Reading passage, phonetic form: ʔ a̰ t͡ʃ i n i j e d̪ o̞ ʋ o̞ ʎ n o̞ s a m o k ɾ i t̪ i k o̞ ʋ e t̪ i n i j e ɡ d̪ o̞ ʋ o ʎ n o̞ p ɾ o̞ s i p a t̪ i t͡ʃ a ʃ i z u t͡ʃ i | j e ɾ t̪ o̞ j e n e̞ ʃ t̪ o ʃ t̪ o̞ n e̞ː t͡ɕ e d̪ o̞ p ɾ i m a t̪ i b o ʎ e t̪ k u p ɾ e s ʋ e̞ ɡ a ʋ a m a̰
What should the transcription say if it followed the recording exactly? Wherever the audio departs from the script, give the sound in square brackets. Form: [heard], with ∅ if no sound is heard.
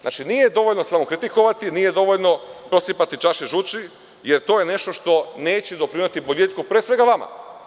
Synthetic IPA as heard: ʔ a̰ t͡ʃ i n i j e d̪ o̞ ʋ o̞ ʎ n o̞ s a m o k ɾ i t̪ i k o̞ ʋ [a] t̪ i n i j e [∅] d̪ o̞ ʋ o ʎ n o̞ p ɾ o̞ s i p a t̪ i t͡ʃ a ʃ i [ʒ] u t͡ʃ i | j e ɾ t̪ o̞ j e n e̞ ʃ t̪ o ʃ t̪ o̞ n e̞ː t͡ɕ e d̪ o̞ p ɾ i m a t̪ i b o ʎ e t̪ k u p ɾ e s ʋ e̞ ɡ a ʋ a m a̰

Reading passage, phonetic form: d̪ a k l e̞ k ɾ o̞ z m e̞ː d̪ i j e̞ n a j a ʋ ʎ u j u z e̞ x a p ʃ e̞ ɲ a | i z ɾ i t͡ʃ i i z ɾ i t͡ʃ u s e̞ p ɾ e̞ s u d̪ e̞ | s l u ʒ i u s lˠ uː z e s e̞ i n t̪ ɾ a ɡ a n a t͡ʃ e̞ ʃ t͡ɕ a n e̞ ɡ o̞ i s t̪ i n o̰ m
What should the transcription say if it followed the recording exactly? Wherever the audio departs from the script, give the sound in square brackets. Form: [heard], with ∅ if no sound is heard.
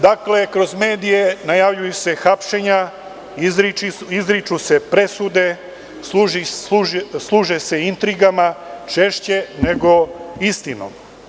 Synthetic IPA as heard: d̪ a k l e̞ k ɾ o̞ z m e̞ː d̪ i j e̞ n a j a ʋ ʎ u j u [s] e̞ x a p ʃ e̞ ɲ a | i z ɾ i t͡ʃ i i z ɾ i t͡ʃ u s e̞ p ɾ e̞ s u d̪ e̞ | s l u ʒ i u s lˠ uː [ʒ] e s e̞ i n t̪ ɾ [i] ɡ a [m] a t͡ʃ e̞ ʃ t͡ɕ [e] n e̞ ɡ o̞ i s t̪ i n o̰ m

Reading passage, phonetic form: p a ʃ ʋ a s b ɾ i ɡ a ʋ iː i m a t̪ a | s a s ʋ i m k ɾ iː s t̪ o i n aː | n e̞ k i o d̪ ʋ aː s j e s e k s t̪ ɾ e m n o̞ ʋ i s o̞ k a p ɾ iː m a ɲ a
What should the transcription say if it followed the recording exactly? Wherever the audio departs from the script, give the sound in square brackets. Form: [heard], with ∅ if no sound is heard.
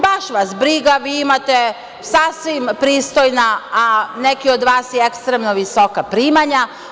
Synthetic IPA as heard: [b] a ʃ ʋ a s b ɾ i ɡ a ʋ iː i m a t̪ [e] | s a s ʋ i m [p] ɾ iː s t̪ o [j] n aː | n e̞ k i o d̪ ʋ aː s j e [∅] e k s t̪ ɾ e m n o̞ ʋ i s o̞ k a p ɾ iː m a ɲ a

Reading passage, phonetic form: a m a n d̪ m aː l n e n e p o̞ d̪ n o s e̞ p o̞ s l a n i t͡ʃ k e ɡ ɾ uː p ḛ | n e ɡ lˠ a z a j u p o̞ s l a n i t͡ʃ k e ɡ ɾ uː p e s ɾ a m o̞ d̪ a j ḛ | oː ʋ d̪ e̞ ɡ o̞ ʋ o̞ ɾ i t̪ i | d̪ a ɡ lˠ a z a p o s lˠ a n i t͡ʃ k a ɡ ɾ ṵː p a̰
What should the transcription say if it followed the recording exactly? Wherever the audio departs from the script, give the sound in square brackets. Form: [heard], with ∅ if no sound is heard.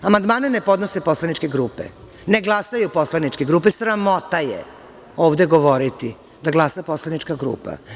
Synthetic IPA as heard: a m a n d̪ m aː [∅] n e n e p o̞ d̪ n o s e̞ p o̞ s l a n i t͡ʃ k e ɡ ɾ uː p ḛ | n e ɡ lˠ a [s] a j u p o̞ s l a n i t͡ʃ k e ɡ ɾ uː p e s ɾ a m o̞ [t̪] a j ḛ | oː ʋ d̪ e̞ ɡ o̞ ʋ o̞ ɾ i t̪ i | d̪ a ɡ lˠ a [s] a p o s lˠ a n i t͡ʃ k a ɡ ɾ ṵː p a̰

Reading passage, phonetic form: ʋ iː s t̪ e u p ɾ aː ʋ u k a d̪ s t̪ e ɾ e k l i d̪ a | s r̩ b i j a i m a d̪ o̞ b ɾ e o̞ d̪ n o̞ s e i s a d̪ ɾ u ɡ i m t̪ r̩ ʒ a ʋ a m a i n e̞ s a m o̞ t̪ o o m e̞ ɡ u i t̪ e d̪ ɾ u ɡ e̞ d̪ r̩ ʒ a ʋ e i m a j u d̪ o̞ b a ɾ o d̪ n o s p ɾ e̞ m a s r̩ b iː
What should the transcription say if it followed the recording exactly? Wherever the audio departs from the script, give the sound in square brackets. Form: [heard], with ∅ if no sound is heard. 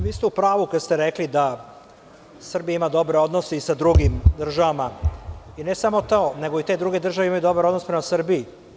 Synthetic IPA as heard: ʋ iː s t̪ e u p ɾ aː ʋ u k a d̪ s t̪ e ɾ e k l i d̪ a | s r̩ b i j a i m a d̪ o̞ b ɾ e o̞ d̪ n o̞ s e i s a d̪ ɾ u ɡ i m [d̪] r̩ ʒ a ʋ a m a i n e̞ s a m o̞ t̪ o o [n] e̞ ɡ [o] i t̪ e d̪ ɾ u ɡ e̞ d̪ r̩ ʒ a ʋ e i m a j u d̪ o̞ b a ɾ o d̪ n o s p ɾ e̞ m a s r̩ b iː

